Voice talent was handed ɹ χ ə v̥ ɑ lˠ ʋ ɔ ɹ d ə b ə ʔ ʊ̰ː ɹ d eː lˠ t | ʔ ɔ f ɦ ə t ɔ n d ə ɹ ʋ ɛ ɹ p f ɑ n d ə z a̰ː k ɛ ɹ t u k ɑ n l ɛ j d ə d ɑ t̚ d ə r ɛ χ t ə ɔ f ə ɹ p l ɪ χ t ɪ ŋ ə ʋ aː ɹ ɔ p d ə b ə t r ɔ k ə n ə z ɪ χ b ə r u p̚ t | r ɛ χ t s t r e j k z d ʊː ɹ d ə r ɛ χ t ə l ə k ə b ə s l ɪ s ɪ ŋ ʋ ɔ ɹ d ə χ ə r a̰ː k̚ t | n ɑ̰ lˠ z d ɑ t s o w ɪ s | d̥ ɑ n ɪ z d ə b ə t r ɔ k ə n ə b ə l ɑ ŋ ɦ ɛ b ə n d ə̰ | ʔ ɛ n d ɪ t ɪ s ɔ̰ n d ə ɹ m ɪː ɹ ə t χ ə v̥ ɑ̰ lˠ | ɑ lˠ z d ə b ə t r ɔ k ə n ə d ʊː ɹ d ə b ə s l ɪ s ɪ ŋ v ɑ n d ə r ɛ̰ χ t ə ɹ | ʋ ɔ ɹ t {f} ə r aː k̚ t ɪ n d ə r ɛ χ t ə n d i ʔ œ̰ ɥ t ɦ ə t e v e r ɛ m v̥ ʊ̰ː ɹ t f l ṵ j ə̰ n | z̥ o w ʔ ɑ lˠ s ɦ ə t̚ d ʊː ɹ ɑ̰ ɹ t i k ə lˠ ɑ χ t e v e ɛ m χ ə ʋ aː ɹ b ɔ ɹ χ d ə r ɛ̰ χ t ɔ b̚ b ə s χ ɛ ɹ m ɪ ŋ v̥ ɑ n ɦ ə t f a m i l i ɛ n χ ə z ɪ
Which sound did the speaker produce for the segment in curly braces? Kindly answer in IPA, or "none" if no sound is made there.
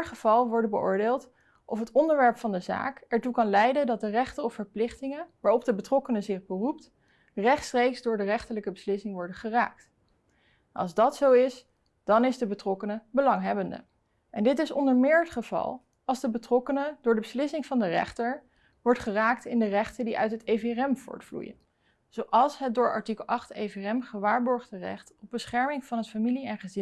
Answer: χ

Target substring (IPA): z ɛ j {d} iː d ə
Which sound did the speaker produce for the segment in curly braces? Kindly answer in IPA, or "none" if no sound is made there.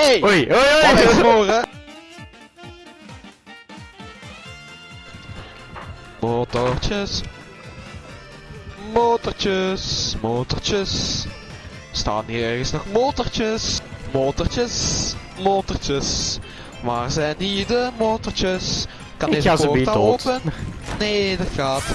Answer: n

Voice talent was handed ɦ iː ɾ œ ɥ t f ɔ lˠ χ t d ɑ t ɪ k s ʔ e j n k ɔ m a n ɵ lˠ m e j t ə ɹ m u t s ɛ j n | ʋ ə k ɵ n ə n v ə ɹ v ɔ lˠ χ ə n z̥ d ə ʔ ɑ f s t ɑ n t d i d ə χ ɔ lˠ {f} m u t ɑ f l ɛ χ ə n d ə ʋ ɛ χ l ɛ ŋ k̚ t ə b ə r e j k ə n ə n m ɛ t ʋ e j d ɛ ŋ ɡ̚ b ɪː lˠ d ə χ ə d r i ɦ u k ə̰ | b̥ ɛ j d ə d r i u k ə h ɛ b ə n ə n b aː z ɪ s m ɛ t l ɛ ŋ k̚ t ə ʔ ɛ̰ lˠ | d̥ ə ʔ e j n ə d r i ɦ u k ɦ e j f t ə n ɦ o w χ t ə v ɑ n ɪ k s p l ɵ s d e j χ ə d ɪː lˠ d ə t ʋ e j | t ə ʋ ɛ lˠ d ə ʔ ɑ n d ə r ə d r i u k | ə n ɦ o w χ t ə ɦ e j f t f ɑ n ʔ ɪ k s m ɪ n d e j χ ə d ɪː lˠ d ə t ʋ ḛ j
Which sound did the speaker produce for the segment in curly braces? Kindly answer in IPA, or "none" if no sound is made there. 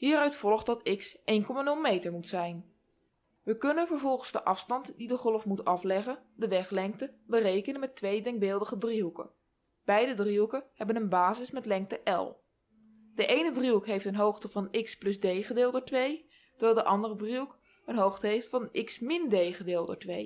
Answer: f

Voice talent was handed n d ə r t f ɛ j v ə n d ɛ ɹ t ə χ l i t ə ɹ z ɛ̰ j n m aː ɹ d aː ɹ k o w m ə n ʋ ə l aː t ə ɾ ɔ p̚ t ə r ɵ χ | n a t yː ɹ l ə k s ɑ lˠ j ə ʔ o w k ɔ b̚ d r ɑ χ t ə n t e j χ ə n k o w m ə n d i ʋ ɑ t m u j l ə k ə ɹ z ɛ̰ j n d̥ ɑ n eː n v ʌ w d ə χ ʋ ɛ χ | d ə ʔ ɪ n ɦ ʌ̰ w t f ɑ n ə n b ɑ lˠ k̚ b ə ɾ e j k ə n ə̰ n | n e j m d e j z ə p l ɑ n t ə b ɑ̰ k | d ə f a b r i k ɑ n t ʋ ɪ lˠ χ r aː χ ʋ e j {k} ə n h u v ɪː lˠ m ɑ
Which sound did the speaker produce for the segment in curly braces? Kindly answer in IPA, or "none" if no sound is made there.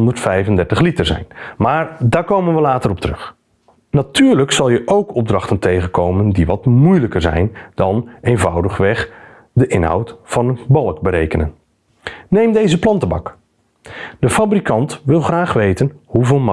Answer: t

